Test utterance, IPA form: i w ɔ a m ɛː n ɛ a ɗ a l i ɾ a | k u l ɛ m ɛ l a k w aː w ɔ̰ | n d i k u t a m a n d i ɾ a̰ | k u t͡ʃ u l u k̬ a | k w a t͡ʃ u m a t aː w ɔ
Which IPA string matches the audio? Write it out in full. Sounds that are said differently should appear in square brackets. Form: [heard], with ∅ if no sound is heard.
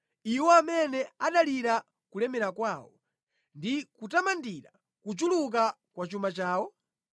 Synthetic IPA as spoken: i w ɔ a m [ɛ] n ɛ a ɗ a l i ɾ a | k u l ɛ m ɛ [ɾ] a k w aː w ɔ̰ | n d i k u t a m a n d i ɾ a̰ | k u t͡ʃ u l u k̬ a | k w a t͡ʃ u m a [t͡ʃ] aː w ɔ